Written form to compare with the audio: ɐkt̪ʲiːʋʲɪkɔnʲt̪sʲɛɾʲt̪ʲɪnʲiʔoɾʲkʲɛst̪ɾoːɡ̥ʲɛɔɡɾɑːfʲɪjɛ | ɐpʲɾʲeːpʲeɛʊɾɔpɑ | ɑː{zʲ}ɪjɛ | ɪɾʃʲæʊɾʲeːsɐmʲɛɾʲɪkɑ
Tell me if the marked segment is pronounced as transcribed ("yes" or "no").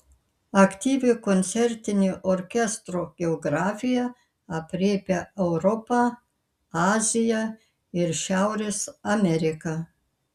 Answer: yes